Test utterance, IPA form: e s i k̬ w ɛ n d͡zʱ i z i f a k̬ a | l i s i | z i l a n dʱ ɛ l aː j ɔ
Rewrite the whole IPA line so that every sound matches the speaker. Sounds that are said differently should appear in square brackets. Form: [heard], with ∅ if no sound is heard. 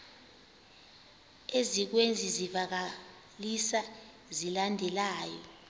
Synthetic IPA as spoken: e [z] i k̬ w [e] n d͡zʱ i z i [v] a k̬ a | l i s [a] | z i l a n dʱ ɛ l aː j ɔ